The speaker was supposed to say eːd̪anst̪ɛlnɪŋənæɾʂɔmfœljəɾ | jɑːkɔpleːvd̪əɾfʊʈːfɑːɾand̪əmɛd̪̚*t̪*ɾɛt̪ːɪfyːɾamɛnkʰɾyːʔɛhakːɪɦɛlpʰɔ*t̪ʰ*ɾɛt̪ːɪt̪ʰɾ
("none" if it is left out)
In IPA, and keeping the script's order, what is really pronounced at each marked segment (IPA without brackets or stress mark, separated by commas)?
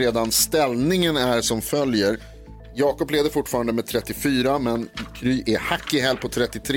t̪ʰ, t̪ʰ